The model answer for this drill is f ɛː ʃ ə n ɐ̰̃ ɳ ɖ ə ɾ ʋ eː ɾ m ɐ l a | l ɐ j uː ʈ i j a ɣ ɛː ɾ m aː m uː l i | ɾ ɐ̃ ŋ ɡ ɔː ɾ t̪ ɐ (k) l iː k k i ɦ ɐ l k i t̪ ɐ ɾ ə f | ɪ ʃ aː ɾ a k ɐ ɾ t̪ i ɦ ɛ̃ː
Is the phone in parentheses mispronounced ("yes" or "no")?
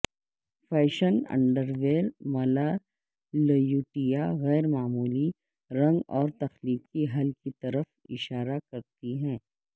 yes